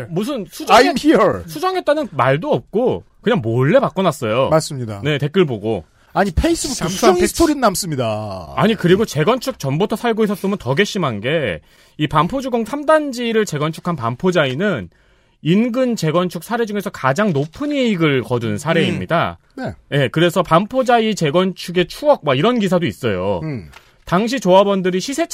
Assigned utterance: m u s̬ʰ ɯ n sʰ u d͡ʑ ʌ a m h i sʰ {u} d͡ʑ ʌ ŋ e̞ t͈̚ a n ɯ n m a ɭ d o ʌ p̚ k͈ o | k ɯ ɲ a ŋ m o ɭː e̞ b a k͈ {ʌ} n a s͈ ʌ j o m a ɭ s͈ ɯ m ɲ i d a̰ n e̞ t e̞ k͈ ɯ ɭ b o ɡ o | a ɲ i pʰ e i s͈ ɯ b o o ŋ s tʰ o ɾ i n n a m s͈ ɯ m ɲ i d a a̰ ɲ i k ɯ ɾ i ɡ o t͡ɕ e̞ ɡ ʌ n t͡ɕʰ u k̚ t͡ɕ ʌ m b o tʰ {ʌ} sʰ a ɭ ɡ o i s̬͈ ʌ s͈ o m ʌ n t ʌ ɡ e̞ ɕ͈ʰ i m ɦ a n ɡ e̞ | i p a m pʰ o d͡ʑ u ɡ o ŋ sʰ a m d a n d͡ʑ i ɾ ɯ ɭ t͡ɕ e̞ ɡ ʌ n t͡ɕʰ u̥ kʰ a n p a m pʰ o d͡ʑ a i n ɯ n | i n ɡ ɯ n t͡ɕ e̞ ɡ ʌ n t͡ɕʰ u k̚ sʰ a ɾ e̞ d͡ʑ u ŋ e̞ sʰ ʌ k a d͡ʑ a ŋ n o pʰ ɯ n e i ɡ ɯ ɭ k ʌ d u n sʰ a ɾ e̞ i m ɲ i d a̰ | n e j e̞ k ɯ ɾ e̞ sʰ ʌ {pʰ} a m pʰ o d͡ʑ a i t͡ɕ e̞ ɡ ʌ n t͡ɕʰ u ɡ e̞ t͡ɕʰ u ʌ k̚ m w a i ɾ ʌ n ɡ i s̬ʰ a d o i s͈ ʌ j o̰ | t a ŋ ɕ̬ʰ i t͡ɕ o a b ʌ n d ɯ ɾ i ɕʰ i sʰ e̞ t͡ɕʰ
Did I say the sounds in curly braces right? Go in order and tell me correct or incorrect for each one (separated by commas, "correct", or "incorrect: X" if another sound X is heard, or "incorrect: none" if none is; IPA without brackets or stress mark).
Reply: correct, correct, correct, incorrect: p